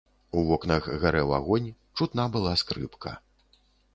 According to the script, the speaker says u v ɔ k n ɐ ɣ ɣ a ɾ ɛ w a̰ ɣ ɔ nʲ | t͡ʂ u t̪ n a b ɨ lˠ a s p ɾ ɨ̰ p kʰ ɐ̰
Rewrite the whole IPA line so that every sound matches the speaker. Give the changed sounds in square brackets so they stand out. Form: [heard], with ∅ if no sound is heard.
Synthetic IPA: u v ɔ k n ɐ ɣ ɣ a ɾ ɛ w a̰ ɣ ɔ nʲ | t͡ʂ u t̪ n a b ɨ lˠ a s [k] ɾ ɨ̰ p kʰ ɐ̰